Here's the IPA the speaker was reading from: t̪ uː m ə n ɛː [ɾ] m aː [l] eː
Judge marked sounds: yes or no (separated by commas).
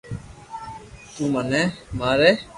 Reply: no, no